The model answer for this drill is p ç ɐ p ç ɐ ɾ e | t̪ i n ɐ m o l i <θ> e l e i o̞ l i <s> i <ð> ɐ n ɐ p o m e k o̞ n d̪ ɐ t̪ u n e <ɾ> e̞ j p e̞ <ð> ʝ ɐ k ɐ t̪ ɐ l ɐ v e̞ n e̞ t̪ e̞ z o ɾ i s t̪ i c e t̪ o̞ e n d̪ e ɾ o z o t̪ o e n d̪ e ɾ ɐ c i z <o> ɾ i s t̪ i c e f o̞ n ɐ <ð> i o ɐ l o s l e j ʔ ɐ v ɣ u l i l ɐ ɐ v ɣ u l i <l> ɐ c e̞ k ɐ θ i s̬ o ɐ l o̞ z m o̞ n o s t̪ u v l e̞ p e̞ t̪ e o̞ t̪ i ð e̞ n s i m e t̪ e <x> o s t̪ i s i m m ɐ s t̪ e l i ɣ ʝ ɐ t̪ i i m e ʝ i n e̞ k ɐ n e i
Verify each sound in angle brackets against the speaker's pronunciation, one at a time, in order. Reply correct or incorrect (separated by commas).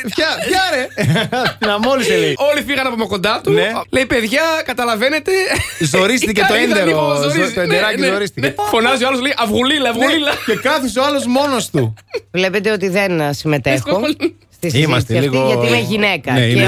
incorrect, incorrect, incorrect, incorrect, correct, correct, incorrect, correct, correct